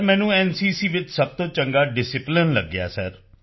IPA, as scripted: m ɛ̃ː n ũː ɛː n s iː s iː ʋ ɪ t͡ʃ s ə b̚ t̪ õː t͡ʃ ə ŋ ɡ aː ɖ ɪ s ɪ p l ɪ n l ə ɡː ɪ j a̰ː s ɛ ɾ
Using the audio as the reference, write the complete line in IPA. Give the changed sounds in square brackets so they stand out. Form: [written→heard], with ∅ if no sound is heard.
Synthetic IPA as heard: m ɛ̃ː n ũː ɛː n s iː s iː ʋ ɪ t͡ʃ s ə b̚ t̪ õː t͡ʃ ə ŋ ɡ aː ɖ ɪ s ɪ p l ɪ n l ə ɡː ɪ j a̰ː s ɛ ɾ